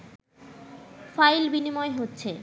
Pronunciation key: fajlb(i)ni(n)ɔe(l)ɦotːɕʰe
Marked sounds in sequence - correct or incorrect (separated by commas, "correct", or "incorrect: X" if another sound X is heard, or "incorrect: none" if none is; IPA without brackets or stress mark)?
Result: correct, incorrect: m, incorrect: none